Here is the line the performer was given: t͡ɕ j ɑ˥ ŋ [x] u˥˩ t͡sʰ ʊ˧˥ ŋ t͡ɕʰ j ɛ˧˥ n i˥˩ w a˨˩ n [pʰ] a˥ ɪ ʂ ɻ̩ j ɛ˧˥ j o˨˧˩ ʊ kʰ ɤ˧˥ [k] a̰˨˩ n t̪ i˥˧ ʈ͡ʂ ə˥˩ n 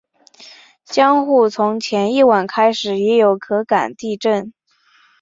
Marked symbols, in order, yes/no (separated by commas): yes, no, yes